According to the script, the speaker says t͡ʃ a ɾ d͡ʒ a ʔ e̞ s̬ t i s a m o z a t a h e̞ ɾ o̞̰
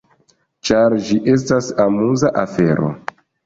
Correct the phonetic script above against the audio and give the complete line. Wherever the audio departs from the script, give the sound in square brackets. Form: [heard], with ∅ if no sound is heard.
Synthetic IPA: t͡ʃ a ɾ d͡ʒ [i] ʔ e̞ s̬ t [a] s a m [u] z a [ʔ] a [f] e̞ ɾ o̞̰